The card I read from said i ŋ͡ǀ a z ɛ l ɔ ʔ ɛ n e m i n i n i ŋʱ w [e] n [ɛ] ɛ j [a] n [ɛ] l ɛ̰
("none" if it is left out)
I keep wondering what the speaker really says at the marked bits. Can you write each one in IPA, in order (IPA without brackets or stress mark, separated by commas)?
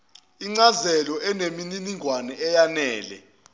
a, ɛ, a, ɛː